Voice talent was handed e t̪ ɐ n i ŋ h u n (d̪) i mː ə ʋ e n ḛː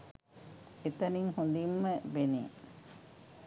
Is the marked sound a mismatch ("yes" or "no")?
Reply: no